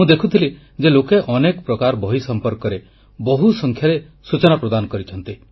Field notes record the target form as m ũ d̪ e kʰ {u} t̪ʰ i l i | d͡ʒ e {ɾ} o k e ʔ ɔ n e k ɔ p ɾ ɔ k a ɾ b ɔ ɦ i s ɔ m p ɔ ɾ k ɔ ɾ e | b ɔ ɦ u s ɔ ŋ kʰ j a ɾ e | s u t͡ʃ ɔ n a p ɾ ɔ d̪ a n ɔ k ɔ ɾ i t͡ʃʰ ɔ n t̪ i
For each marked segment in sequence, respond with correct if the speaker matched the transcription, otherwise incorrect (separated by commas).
correct, incorrect